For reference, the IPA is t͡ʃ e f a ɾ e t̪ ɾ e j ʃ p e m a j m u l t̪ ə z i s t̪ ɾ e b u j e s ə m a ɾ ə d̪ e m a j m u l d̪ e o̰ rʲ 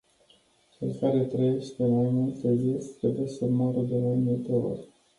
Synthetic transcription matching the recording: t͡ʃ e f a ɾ e t̪ ɾ e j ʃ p e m a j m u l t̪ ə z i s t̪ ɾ e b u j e s ə m a ɾ ə d̪ e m a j m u l t̪ e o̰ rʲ